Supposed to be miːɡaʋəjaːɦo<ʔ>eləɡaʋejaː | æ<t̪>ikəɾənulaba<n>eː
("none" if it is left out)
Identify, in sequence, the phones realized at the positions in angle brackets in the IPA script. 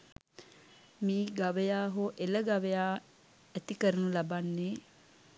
ʔ, t̪, nː

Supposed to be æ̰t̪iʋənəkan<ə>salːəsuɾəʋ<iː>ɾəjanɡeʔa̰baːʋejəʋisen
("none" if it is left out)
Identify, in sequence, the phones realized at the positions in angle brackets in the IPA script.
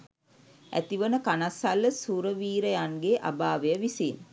a, iː

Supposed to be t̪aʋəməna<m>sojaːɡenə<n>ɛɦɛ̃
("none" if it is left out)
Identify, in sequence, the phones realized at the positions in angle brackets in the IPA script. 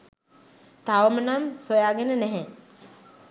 m, n

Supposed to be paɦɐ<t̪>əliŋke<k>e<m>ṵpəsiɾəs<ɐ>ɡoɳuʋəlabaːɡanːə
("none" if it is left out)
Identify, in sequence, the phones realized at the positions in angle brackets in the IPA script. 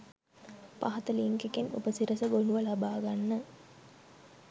t̪, k, n, ə

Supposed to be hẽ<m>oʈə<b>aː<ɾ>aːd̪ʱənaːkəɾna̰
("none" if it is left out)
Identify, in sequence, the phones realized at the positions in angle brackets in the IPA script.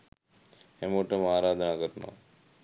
m, m, ɾ

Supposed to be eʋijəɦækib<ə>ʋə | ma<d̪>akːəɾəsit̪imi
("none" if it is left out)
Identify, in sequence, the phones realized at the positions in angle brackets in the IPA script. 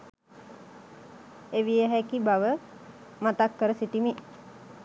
a, t̪

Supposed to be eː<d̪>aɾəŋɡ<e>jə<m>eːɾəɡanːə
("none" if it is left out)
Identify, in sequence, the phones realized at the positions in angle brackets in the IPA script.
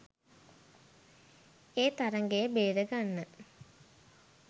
t̪, e, b

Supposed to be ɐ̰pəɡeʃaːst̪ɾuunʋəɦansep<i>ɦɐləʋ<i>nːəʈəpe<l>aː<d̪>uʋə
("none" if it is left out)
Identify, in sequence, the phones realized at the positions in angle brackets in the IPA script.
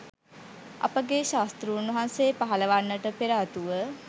a, a, ɾ, t̪

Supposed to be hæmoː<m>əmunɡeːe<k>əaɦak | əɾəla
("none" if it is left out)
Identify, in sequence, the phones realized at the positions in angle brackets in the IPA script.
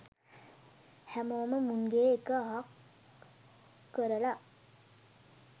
m, k

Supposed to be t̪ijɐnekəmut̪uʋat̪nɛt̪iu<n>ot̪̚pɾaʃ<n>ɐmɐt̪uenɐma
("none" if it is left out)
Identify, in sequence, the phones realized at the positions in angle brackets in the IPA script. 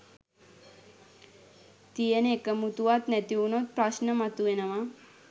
n, n

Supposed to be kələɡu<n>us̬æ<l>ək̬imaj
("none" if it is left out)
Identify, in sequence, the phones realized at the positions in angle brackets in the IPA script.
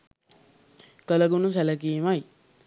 n, l

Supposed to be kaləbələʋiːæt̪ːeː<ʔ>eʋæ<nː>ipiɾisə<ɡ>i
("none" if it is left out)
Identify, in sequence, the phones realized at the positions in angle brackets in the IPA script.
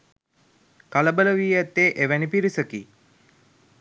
ʔ, n, k

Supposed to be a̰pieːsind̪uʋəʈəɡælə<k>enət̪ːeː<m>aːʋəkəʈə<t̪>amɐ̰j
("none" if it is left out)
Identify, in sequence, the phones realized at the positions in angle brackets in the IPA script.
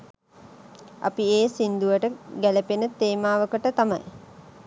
p, m, t̪

